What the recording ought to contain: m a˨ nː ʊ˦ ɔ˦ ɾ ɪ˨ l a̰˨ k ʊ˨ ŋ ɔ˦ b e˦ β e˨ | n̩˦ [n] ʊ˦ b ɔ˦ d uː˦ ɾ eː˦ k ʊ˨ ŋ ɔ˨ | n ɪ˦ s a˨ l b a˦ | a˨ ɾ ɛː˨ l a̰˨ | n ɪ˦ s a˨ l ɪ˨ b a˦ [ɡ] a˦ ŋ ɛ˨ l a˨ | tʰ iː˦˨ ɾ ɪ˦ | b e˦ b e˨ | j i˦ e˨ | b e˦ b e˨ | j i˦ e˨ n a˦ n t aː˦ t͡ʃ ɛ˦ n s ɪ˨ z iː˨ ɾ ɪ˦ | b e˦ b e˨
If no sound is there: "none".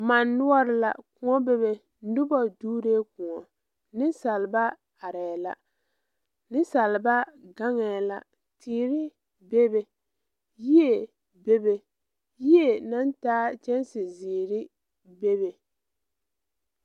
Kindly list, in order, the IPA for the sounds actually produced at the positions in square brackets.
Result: d, ɡ

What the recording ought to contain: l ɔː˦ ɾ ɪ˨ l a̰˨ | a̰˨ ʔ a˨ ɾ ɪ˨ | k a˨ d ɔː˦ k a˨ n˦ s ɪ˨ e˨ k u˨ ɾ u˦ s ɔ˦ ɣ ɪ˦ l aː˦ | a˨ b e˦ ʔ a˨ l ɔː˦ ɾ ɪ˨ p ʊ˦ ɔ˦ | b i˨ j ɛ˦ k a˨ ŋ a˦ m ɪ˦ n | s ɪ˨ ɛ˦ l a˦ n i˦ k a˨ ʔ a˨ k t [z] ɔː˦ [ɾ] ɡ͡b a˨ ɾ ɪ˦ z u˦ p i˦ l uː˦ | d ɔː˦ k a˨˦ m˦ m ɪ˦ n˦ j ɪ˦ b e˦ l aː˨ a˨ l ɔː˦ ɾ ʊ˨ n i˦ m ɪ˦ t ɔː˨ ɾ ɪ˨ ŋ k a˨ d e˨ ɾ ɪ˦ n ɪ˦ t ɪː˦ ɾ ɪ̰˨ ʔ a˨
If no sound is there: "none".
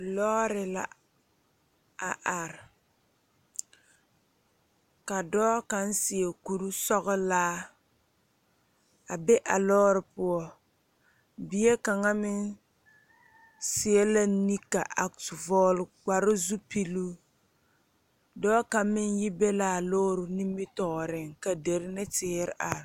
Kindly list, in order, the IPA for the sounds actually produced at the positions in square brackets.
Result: v, l

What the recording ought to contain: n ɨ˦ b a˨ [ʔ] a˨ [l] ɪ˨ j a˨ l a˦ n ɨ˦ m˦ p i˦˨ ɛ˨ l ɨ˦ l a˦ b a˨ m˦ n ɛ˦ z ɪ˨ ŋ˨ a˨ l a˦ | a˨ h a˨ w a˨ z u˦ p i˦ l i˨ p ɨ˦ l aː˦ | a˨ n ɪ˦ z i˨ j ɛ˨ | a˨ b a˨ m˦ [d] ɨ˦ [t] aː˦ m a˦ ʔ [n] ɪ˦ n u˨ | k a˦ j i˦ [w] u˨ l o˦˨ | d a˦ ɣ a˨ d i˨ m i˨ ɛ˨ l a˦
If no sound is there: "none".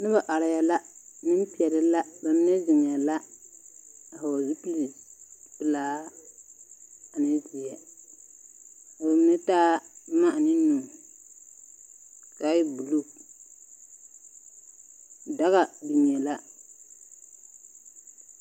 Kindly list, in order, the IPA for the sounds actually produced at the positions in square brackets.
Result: ʔ, ɾ, n, t, n, b

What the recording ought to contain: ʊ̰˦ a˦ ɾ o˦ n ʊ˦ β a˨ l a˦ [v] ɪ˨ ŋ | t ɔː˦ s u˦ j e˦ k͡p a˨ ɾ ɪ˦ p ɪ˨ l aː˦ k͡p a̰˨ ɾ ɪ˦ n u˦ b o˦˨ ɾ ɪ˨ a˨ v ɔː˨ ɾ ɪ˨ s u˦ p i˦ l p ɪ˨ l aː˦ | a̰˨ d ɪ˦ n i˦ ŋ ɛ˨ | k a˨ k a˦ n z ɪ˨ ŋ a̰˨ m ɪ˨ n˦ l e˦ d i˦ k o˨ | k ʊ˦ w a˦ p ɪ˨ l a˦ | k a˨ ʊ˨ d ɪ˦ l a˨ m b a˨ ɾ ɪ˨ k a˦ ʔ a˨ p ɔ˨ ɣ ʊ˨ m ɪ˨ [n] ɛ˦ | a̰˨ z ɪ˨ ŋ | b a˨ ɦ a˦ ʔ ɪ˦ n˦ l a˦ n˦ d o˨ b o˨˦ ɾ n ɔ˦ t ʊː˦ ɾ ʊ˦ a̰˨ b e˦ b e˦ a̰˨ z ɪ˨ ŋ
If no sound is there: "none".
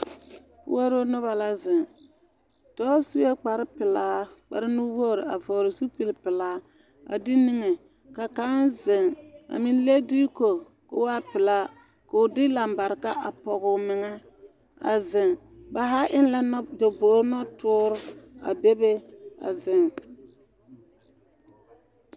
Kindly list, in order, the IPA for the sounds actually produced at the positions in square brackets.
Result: z, ŋ

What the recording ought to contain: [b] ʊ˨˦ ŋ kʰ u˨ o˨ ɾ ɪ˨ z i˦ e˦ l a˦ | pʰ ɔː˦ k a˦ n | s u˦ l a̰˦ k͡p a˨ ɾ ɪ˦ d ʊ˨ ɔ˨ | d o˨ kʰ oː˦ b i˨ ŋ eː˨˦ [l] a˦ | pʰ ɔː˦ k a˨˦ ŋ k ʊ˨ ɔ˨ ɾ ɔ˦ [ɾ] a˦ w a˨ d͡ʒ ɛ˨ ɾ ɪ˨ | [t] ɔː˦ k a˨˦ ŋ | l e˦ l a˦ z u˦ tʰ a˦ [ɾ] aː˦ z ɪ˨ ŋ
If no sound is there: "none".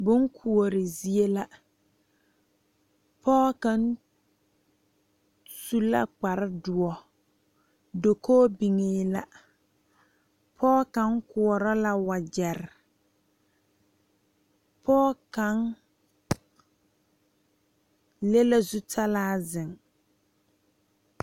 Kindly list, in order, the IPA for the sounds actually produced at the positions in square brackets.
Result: b, l, l, p, l

